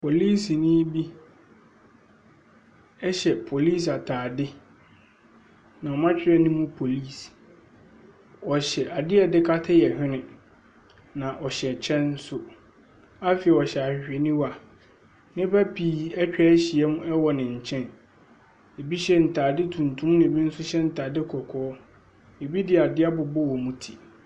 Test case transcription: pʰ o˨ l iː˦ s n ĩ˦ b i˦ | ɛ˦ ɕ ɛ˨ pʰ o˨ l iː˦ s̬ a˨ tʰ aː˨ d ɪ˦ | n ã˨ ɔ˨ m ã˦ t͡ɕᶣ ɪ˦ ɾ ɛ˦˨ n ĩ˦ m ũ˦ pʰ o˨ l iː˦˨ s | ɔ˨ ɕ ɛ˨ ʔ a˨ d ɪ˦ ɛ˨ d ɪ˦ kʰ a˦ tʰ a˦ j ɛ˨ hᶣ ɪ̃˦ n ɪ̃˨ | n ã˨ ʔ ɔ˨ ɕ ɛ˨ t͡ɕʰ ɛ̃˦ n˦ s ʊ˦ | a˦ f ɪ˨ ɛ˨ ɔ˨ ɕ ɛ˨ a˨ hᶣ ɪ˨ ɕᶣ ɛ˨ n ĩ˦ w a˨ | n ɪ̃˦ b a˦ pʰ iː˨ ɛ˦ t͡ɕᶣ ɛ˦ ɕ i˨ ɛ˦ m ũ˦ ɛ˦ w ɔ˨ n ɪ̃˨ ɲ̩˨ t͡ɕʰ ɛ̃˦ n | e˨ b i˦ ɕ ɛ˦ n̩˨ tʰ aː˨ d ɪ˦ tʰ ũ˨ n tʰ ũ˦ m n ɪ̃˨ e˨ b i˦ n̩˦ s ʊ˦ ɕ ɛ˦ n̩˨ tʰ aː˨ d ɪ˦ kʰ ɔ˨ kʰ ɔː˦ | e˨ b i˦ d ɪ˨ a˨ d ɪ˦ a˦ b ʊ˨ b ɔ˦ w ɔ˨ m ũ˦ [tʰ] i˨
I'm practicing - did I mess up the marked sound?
no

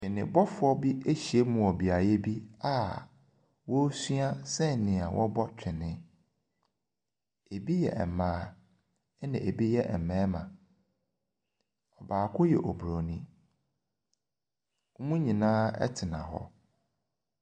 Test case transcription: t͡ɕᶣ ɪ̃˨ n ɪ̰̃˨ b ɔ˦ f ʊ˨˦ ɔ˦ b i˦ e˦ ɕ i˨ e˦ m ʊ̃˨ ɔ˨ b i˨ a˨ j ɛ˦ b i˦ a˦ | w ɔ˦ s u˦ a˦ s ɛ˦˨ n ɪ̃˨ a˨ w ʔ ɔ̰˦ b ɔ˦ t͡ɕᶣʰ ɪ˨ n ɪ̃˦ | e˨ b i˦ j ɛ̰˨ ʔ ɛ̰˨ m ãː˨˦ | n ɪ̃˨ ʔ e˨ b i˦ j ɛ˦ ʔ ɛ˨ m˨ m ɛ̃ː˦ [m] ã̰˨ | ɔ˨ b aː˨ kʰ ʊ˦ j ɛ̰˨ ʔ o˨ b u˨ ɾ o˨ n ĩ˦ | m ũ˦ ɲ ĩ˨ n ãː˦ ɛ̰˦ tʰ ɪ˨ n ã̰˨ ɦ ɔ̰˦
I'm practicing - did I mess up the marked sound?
no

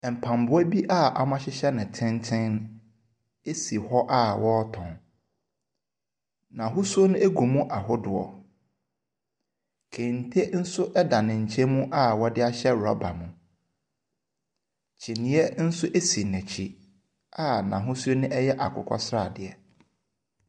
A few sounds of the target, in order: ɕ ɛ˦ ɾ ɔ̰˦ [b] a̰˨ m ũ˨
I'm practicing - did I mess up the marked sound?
no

